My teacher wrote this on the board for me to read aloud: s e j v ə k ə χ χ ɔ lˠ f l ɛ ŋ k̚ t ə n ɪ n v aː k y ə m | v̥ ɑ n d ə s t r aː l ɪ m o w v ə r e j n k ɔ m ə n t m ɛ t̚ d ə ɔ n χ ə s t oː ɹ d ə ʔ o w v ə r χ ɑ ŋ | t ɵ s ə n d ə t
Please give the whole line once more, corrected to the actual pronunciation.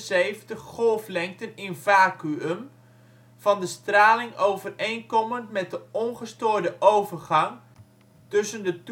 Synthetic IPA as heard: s e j v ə t ə χ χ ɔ lˠ f l ɛ ŋ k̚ t ə n ɪ n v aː k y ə m | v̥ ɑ n d ə s t r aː l ɪ ŋ o w v ə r e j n k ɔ m ə n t m ɛ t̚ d ə ɔ n χ ə s t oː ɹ d ə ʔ o w v ə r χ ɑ ŋ | t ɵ s ə n d ə t